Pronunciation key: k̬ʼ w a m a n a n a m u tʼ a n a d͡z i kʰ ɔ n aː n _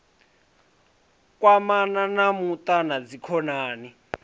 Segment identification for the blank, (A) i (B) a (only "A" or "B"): A